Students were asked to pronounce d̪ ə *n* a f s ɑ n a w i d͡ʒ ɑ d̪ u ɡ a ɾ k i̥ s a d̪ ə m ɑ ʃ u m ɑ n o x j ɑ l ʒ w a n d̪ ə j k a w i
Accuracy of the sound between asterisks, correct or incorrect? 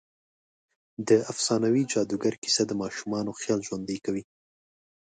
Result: incorrect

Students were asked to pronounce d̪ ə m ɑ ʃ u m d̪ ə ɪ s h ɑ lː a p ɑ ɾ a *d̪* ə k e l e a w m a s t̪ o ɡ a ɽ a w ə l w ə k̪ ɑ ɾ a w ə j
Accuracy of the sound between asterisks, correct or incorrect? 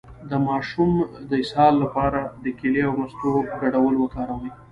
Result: correct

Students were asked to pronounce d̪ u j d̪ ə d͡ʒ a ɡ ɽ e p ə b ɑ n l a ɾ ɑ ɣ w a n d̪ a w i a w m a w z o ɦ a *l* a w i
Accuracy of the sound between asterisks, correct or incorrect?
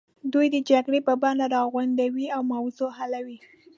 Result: correct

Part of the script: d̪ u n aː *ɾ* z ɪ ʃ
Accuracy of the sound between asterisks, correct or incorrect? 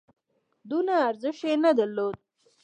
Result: correct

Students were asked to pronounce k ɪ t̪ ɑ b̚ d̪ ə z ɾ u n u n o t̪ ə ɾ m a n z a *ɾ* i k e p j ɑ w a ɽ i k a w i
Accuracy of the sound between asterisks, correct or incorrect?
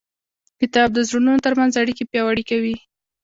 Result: incorrect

